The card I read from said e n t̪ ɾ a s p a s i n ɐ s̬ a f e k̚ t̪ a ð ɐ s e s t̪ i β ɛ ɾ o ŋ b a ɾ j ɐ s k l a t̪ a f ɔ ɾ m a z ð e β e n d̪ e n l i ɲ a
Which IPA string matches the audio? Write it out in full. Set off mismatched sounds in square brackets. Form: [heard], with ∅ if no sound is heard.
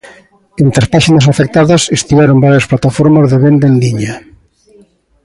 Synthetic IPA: e n t̪ ɾ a s p a [ʃ] i n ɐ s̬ a f e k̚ t̪ a ð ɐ s e s t̪ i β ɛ ɾ o [m] b a ɾ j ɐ s [p] l a t̪ a f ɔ ɾ m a z ð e β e n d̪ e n l i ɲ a